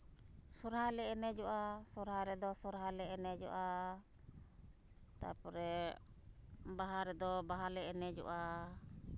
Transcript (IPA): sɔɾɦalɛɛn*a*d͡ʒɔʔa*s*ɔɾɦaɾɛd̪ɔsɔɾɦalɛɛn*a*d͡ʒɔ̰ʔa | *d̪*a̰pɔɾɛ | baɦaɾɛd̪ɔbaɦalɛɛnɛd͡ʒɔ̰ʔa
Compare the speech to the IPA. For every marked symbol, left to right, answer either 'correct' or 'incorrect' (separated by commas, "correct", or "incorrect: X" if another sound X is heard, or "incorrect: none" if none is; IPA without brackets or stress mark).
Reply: incorrect: ɛ, correct, incorrect: ɛ, incorrect: t̪